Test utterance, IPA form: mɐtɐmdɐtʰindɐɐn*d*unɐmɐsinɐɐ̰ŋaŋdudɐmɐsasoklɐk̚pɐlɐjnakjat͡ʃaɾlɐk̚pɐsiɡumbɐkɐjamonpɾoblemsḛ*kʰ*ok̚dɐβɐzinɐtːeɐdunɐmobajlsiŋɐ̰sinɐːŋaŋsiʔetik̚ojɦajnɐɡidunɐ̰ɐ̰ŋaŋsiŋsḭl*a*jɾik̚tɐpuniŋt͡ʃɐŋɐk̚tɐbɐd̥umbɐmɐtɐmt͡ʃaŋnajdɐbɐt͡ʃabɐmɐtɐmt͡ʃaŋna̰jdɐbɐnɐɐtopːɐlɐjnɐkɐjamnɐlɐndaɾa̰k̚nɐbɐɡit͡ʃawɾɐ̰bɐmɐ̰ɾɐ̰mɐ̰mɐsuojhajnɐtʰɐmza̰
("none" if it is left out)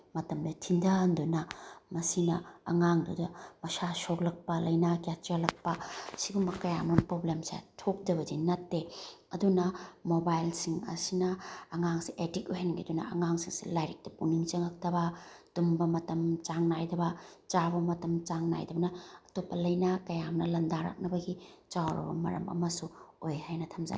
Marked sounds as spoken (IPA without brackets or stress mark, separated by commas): d, tʰ, a